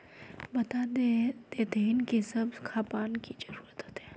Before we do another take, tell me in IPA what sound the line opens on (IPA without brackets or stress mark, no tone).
b